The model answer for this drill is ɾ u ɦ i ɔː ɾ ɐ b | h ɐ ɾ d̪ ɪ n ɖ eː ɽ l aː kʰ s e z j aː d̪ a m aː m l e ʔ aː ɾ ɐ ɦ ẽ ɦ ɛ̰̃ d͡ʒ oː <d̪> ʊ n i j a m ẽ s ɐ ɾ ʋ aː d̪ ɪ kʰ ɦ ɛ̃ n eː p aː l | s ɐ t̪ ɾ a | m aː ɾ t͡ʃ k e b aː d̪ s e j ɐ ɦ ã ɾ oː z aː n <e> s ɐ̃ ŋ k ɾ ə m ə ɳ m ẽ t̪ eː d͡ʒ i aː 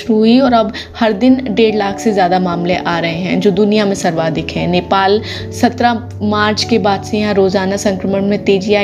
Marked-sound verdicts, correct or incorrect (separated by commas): correct, incorrect